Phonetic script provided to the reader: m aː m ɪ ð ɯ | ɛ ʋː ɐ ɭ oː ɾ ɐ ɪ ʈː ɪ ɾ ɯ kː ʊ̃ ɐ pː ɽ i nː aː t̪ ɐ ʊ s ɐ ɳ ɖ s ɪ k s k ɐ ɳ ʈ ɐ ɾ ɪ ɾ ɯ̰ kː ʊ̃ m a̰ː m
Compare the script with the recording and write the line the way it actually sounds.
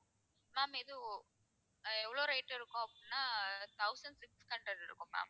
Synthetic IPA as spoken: m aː m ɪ ð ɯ | ɛ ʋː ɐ ɭ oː ɾ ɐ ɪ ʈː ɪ ɾ ɯ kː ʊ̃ ɐ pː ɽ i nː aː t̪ ɐ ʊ s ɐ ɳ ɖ s ɪ k s k ɐ ɳ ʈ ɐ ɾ ɪ ɾ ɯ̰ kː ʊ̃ m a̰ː m